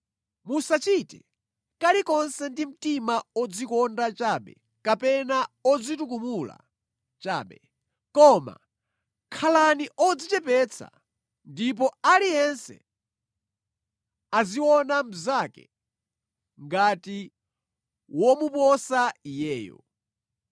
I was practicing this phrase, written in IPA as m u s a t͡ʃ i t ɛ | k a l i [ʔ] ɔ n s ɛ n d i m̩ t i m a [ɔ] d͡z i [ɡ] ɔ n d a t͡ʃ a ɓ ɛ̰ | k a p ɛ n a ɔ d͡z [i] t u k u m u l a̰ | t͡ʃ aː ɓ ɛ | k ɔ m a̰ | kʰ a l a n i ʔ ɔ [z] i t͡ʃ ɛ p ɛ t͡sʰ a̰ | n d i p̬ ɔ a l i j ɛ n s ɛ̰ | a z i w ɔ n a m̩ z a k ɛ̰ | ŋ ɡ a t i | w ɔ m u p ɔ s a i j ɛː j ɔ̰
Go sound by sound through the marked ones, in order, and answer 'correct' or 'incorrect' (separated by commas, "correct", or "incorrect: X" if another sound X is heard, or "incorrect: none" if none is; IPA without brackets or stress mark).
incorrect: k, correct, incorrect: k, correct, incorrect: d͡z